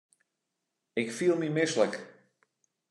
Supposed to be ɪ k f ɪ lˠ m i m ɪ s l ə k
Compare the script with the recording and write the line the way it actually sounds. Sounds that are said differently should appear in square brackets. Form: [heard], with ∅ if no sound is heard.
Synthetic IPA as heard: ɪ k f [i] lˠ m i m ɪ s l ə k